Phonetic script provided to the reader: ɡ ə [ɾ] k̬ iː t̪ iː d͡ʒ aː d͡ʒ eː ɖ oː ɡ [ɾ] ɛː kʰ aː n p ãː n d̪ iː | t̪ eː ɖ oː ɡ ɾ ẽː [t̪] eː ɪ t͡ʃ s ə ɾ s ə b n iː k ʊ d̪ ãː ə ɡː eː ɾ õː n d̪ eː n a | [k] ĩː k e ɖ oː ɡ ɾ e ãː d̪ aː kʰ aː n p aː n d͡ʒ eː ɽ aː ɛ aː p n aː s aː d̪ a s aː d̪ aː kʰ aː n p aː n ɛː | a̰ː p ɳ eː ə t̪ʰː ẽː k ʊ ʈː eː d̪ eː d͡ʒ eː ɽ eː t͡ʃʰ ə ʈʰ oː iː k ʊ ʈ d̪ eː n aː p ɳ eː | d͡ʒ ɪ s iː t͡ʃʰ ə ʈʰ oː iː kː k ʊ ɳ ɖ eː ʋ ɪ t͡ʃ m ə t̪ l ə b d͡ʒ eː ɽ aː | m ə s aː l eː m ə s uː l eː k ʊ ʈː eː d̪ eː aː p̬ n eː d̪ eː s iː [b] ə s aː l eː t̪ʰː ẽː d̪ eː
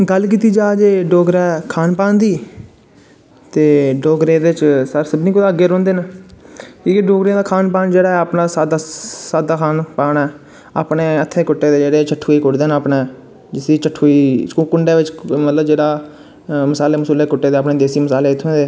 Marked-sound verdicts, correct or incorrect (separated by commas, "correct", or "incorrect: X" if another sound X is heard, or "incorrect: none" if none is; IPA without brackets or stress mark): incorrect: l, correct, incorrect: d̪, correct, incorrect: m